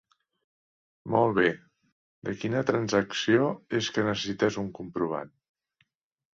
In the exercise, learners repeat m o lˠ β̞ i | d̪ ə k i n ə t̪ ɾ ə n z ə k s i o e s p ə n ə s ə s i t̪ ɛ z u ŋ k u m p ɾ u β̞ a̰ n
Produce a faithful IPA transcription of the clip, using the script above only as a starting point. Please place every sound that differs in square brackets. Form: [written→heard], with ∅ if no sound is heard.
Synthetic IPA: m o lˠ β̞ [i→e] | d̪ ə k i n ə t̪ ɾ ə n z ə k s i o e s [p→k] ə n ə s ə s i t̪ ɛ z u ŋ k u m p ɾ u β̞ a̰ n

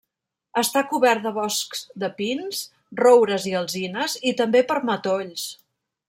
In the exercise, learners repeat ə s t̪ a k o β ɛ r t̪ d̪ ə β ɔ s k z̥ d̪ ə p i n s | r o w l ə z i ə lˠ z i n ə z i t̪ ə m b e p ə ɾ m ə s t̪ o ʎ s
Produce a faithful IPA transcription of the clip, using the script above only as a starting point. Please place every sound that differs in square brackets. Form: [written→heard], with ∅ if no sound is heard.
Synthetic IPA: ə s t̪ a k [o→u] β ɛ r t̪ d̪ ə β ɔ s k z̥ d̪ ə p i n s | r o w [l→ɾ] ə z i ə lˠ z i n ə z i t̪ ə m b e p ə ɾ m ə [s→∅] t̪ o ʎ s

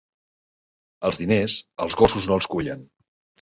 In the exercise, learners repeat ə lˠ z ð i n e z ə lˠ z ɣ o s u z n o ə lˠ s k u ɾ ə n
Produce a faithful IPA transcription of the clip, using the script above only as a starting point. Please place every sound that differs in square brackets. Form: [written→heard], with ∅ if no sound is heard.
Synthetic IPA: ə lˠ z ð i n e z ə lˠ z ɣ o s u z n o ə lˠ s k u [ɾ→ʎ] ə n

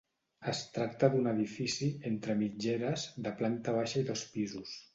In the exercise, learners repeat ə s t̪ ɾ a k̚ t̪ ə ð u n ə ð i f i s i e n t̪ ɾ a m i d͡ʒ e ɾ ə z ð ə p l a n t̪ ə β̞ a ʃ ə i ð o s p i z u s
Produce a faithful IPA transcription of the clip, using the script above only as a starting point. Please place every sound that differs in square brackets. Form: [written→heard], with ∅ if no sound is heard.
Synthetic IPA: ə s t̪ ɾ a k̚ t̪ ə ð u n ə ð i f i s i e n t̪ ɾ [a→ə] m i d͡ʒ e ɾ ə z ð ə p l a n t̪ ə β̞ a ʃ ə i ð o s p i z u s

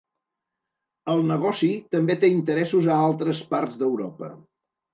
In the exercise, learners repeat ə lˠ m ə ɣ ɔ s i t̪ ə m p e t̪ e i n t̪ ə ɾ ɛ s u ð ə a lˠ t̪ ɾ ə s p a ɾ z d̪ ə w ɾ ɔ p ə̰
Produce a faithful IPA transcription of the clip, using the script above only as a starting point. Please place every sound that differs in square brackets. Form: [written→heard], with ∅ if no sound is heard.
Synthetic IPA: ə lˠ [m→n] ə ɣ ɔ s i t̪ ə m [p→b] e t̪ e i n t̪ ə ɾ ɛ s u [ð→z] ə a lˠ t̪ ɾ ə s p a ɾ z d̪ ə w ɾ ɔ p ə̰

